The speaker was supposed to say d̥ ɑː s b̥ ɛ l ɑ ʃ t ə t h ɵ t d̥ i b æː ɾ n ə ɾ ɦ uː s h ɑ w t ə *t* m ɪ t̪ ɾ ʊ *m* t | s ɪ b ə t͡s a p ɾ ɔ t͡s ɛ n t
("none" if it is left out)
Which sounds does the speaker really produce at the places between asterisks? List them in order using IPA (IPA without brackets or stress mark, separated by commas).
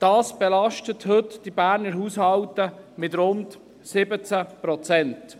none, n